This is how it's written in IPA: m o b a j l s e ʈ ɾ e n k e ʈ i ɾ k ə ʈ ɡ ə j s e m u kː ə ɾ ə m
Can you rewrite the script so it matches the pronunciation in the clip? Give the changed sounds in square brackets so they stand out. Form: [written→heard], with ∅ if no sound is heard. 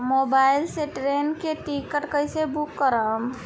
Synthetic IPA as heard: m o b a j l s e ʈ ɾ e n k e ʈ i [ɾ→∅] k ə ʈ [ɡ→k] ə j s e [m→b] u kː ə ɾ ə m